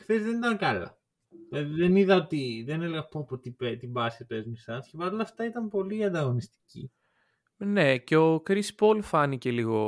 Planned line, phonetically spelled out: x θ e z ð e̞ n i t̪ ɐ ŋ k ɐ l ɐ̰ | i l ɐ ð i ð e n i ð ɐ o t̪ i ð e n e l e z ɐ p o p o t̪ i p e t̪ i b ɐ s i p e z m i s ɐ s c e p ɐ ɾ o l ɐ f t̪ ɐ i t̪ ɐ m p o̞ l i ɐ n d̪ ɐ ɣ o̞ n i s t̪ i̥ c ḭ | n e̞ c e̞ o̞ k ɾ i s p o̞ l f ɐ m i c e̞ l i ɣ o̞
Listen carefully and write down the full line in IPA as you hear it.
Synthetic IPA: x θ e z ð e̞ n i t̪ ɐ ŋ k ɐ l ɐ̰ | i l ɐ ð i ð e n i ð ɐ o t̪ i ð e n e l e ɣ ɐ p o p o t̪ i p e t̪ i b ɐ s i p e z m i s ɐ s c e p ɐ ɾ o l ɐ f t̪ ɐ i t̪ ɐ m p o̞ l i ɐ n d̪ ɐ ɣ o̞ n i s t̪ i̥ c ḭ | n e̞ c e̞ o̞ k ɾ i s p o̞ l f ɐ n i c e̞ l i ɣ o̞